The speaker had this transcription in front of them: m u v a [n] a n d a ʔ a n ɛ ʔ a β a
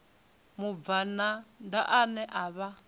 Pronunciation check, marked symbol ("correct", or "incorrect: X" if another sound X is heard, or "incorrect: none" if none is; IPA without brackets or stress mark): correct